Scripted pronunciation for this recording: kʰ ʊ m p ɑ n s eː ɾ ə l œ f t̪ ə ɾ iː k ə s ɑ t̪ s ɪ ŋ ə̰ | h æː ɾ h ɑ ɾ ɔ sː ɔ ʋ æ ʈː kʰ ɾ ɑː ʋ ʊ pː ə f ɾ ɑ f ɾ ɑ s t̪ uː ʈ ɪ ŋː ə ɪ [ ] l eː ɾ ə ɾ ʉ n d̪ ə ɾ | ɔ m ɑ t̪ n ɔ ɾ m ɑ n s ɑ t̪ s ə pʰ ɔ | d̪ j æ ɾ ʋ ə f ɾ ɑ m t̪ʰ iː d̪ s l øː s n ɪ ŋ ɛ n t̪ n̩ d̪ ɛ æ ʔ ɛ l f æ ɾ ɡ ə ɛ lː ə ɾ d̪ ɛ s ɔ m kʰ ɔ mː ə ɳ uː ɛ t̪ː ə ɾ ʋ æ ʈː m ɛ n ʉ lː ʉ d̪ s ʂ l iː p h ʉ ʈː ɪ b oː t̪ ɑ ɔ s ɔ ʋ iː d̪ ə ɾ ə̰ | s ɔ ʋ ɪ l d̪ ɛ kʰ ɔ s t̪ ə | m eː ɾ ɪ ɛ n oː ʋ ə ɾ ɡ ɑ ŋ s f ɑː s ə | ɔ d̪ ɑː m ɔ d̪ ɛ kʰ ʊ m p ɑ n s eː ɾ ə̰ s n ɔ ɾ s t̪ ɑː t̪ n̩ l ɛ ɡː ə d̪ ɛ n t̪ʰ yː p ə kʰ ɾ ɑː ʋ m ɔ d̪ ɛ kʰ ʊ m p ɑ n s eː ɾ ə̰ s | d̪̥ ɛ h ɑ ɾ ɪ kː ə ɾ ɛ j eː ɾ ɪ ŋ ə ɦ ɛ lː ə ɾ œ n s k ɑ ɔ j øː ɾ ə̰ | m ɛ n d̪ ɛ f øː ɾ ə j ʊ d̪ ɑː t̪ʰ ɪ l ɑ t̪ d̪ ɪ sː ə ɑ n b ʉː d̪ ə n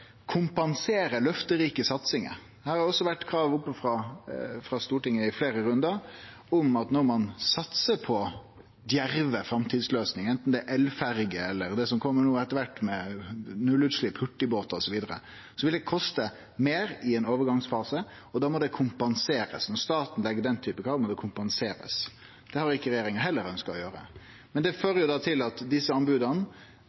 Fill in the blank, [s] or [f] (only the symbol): f